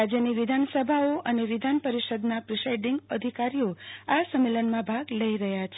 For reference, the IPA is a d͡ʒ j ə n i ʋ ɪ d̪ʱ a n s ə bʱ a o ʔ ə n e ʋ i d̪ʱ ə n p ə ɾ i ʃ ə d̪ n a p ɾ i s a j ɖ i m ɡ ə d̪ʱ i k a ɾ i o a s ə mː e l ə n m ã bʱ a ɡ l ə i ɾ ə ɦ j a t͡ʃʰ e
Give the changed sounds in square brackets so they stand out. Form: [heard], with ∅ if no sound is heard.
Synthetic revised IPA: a d͡ʒ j ə n i ʋ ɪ d̪ʱ a n s ə bʱ a o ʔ ə n e ʋ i d̪ʱ [a] n p ə ɾ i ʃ ə d̪ n a p ɾ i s a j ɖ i [ŋ] ɡ ə d̪ʱ i k a ɾ i o a s ə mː e l ə n m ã bʱ a ɡ l ə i ɾ ə ɦ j a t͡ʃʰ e